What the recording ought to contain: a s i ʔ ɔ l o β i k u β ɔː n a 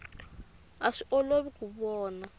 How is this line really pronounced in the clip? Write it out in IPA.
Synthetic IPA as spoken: a ʂ i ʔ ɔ l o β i k u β ɔː n a

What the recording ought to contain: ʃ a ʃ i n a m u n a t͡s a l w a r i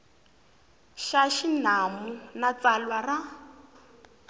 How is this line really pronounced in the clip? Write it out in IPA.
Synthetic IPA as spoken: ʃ a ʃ i n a m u n a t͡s a l w a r a

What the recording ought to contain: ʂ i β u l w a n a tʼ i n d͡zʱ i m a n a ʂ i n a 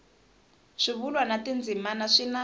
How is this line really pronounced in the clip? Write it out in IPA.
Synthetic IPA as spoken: ʂ i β u l w a n a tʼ i n d͡zʱ i m a n a ʂ i n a

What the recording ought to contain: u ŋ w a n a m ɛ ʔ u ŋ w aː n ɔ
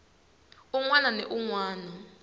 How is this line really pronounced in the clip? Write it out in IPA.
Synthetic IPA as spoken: u ŋ w a n a n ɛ ʔ u ŋ w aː n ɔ

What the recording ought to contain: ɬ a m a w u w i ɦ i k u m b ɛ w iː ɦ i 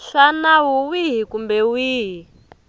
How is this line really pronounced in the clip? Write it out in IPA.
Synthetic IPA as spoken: ɬ a n a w u w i ɦ i k u m b ɛ w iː ɦ i

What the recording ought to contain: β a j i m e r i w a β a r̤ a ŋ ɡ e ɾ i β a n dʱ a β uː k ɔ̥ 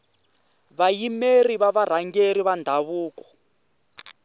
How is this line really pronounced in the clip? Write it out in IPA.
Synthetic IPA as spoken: β a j i m e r i β a β a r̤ a ŋ ɡ e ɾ i β a n dʱ a β uː k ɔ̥

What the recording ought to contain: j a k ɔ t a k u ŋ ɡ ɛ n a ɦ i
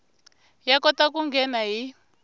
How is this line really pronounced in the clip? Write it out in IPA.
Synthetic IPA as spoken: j a k ɔ t a k u ŋ ɡ ɛ n a ɦ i

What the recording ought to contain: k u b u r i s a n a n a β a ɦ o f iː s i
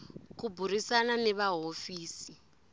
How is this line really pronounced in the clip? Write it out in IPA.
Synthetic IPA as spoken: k u b u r i s a n a n ɛ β a ɦ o f iː s i

